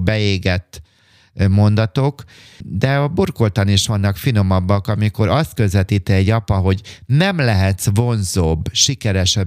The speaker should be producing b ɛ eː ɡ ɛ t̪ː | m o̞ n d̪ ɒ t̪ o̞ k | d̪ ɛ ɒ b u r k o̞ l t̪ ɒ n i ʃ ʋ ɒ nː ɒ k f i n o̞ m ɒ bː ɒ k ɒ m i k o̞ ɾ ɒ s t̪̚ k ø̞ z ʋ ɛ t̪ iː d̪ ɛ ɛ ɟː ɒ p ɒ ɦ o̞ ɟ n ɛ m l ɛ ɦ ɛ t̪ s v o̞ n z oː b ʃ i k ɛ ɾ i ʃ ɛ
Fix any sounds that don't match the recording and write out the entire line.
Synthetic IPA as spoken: b ɛ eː ɡ ɛ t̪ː | m o̞ n d̪ ɒ t̪ o̞ k | d̪ ɛ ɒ b u r k o̞ l t̪ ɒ n i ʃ ʋ ɒ nː ɒ k f i n o̞ m ɒ bː ɒ k ɒ m i k o̞ ɾ ɒ s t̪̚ k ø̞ z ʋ ɛ t̪ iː t̪ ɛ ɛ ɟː ɒ p ɒ ɦ o̞ ɟ n ɛ m l ɛ ɦ ɛ t̪ s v o̞ n z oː b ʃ i k ɛ ɾ ɛ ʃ ɛ